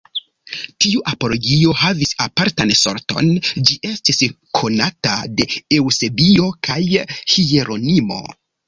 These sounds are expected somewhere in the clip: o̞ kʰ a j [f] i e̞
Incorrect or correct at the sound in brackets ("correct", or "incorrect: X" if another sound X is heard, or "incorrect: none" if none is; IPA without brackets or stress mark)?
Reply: incorrect: h